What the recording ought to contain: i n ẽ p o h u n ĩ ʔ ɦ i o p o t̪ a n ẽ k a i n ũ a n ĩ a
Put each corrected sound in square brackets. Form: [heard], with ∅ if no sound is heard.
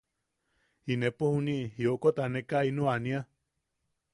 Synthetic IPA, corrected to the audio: i n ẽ p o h u n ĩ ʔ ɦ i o [k] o t̪ a n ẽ k a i n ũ a n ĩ a